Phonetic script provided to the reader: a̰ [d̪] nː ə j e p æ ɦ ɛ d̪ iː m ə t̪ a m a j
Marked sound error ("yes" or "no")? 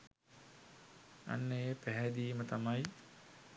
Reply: yes